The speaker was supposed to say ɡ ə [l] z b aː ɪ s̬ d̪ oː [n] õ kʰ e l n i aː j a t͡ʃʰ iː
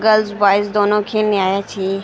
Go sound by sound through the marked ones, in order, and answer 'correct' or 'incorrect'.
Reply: correct, correct

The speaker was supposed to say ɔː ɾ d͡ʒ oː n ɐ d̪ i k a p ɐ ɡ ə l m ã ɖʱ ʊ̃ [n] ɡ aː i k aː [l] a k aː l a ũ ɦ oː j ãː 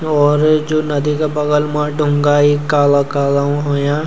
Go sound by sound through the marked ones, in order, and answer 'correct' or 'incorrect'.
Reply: incorrect, correct

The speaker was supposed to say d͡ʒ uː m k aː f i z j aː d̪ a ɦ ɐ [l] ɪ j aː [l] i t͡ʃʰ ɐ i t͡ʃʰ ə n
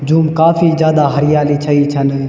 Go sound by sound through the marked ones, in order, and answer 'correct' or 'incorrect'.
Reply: incorrect, correct

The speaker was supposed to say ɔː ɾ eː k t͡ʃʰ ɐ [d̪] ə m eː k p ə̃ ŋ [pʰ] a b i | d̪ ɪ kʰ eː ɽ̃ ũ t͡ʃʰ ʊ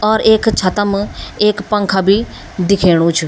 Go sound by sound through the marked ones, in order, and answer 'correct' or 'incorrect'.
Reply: incorrect, incorrect

